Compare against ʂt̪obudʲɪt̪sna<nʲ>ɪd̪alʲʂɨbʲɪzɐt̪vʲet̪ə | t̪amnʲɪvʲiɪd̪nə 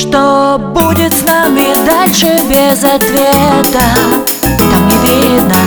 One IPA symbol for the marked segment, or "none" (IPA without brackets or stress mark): mʲ